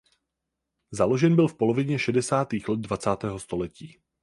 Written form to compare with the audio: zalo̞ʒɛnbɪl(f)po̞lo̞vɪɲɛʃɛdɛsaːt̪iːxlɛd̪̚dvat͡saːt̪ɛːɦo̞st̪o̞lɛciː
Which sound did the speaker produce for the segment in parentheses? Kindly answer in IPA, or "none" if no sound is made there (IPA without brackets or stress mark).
f